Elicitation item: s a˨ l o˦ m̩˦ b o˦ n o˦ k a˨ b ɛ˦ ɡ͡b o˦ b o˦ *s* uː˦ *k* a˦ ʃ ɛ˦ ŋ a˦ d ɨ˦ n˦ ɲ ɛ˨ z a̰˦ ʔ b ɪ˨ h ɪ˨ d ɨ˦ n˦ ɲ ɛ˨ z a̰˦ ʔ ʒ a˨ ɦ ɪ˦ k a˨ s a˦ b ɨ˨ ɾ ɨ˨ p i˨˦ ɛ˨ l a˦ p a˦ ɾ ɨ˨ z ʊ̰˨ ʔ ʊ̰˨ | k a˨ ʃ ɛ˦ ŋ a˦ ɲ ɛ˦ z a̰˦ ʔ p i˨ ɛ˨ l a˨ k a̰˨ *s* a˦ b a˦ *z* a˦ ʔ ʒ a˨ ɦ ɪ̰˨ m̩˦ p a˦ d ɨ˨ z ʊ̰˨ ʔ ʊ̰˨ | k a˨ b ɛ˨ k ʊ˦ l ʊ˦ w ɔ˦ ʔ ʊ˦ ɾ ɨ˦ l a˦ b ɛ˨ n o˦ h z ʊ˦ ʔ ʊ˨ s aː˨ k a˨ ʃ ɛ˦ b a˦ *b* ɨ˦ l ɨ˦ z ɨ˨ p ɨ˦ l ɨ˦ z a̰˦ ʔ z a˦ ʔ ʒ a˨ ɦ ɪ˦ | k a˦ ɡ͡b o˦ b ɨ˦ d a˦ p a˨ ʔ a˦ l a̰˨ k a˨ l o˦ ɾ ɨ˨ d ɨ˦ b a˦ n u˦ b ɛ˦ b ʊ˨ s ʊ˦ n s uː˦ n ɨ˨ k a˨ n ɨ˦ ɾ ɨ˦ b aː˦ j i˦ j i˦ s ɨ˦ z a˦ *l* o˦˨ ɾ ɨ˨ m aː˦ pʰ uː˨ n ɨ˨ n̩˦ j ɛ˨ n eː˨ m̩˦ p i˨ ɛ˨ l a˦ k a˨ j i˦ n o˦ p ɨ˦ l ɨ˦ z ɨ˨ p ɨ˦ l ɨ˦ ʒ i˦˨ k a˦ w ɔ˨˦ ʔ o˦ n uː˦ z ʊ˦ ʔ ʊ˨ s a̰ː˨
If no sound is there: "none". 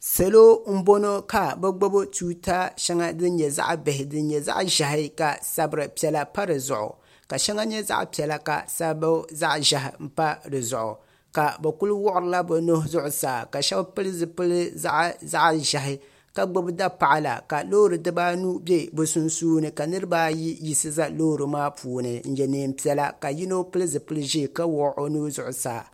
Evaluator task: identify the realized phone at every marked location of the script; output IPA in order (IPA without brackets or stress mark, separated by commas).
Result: t, t, s, z, p, l